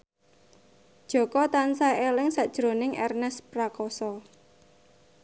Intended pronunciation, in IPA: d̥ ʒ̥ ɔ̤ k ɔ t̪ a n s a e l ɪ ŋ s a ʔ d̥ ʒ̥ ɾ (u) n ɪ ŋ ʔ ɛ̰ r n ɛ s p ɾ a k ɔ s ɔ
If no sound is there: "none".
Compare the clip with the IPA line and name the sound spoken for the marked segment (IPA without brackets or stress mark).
o